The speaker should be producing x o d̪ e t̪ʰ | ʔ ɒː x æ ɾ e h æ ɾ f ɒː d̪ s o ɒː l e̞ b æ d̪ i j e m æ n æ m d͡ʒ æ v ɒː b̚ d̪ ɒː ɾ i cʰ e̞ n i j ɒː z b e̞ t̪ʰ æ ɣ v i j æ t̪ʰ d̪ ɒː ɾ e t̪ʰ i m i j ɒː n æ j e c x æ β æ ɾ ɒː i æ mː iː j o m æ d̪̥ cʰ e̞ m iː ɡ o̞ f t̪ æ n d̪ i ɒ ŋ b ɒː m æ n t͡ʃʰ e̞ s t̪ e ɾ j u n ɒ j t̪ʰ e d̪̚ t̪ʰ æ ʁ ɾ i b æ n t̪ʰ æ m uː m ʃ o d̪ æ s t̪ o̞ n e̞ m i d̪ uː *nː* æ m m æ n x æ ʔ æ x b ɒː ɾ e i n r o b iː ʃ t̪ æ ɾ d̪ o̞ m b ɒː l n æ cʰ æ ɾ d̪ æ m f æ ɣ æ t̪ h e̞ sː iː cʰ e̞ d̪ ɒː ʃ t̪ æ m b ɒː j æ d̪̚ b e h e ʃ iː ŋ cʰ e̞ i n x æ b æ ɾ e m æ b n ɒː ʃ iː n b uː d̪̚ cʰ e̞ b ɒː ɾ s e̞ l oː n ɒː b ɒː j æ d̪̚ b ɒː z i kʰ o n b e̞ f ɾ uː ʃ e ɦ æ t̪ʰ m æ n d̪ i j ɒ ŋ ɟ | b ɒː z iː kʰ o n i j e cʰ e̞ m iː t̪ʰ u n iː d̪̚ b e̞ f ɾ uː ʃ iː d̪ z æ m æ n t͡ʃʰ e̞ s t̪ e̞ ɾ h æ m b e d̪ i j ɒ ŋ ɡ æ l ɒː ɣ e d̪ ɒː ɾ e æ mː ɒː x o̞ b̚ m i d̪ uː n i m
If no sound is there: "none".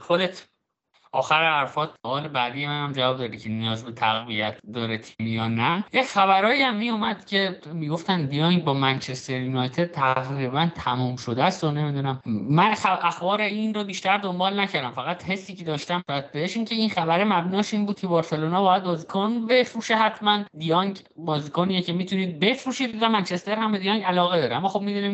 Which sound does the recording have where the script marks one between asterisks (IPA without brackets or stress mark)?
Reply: n